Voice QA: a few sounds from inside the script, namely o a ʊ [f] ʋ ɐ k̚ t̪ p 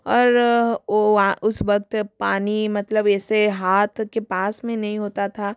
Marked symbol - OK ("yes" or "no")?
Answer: no